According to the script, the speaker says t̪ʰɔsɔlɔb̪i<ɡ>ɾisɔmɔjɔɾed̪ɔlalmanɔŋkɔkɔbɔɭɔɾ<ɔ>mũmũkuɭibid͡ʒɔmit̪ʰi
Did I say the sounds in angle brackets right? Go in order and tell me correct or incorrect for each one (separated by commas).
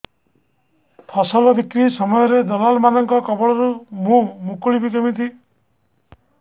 incorrect, incorrect